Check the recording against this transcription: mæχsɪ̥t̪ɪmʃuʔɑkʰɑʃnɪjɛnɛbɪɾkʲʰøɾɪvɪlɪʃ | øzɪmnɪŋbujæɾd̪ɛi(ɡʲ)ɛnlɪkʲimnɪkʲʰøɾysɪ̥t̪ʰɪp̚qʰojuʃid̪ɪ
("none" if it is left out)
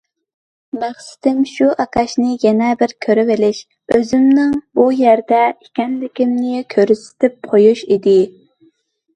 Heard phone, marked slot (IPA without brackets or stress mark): kʲ